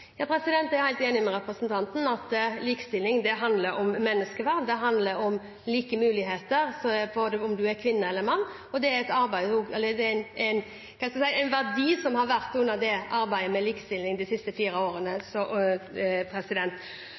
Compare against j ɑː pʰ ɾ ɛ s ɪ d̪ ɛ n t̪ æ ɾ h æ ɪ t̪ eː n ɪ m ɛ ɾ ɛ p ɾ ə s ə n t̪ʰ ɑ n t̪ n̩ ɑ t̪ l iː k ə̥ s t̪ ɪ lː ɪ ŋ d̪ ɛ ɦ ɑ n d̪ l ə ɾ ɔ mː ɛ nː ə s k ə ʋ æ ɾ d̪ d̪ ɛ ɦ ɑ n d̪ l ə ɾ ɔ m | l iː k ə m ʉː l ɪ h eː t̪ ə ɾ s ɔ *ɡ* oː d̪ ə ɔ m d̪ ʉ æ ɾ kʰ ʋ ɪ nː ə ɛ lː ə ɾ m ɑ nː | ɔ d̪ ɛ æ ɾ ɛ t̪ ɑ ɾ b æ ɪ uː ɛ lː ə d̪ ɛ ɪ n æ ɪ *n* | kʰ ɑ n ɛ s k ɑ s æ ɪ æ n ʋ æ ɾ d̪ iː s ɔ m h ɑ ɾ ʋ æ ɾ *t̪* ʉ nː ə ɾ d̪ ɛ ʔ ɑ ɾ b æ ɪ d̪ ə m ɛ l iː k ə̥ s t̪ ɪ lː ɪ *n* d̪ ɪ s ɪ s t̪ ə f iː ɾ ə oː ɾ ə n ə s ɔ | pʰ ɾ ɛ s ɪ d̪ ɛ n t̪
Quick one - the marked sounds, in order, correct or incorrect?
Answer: incorrect, correct, correct, incorrect

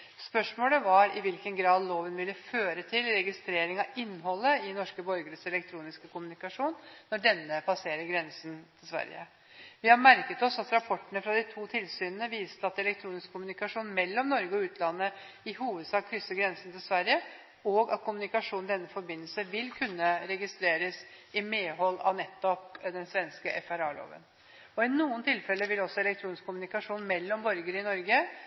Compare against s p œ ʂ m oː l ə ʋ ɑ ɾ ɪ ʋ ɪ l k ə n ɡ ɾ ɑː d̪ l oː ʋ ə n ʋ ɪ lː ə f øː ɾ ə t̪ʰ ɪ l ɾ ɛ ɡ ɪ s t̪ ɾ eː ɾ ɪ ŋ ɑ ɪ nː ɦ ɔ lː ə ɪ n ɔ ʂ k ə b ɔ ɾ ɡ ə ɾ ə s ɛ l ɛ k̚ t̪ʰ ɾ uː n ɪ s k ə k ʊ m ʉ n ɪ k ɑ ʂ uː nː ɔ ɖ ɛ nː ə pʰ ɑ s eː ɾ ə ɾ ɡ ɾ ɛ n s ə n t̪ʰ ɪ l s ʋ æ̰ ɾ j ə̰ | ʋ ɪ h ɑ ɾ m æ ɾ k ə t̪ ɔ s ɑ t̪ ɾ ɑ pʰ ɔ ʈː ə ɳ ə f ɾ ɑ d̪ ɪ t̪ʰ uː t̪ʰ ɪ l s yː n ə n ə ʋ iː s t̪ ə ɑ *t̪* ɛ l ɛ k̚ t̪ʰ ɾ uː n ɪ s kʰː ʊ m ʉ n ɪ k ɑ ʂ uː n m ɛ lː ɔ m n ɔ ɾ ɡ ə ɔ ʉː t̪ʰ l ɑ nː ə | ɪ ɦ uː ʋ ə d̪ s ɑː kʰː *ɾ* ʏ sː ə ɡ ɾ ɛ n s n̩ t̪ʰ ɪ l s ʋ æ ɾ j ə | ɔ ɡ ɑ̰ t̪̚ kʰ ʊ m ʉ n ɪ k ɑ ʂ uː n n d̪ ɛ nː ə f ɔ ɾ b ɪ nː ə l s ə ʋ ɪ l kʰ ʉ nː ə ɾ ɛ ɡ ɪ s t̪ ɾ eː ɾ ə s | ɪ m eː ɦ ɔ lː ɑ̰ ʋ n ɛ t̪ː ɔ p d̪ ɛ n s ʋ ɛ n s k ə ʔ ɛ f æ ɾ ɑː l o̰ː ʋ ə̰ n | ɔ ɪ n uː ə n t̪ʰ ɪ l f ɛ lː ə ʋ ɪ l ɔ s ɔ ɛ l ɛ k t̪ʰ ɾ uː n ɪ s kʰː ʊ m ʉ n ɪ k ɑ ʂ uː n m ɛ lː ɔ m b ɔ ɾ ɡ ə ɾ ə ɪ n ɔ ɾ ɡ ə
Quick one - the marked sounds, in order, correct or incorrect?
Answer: correct, correct

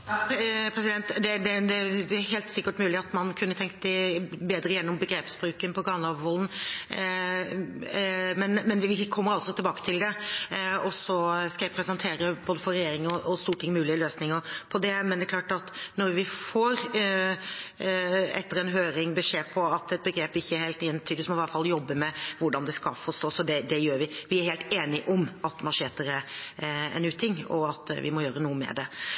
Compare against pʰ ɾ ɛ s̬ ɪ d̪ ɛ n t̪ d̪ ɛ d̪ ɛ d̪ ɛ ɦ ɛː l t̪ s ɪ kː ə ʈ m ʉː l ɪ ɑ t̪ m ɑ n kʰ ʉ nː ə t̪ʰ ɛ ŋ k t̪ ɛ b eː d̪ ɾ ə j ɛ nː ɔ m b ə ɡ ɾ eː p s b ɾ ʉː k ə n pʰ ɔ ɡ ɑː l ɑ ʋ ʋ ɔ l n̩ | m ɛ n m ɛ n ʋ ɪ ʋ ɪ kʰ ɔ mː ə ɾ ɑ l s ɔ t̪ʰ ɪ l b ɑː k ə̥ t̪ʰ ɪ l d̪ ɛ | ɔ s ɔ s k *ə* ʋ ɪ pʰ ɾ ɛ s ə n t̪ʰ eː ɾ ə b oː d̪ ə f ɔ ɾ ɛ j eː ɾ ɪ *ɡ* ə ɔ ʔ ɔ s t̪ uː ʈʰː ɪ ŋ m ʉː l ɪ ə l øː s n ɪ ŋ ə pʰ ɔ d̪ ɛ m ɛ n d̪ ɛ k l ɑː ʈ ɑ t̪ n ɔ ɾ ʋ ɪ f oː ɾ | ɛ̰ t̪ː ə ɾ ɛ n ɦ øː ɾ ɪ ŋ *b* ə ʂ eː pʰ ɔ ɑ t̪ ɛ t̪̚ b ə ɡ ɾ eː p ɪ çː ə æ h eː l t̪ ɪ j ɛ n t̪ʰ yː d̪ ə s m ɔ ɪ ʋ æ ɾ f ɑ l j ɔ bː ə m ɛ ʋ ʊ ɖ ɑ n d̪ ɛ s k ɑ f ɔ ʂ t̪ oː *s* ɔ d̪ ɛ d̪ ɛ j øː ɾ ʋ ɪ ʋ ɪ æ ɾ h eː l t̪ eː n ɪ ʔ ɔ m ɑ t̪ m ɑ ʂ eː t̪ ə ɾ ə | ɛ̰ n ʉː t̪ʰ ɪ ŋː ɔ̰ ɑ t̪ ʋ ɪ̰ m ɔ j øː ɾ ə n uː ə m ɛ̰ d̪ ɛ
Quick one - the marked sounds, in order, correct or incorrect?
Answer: incorrect, incorrect, correct, correct

